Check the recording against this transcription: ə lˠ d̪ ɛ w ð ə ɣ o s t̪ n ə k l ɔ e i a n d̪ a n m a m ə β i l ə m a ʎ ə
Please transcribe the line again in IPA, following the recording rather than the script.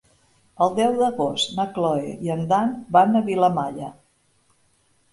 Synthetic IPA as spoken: ə lˠ d̪ ɛ w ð ə ɣ o s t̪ n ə k l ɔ e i ə n d̪ a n b a n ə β i l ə m a ʎ ə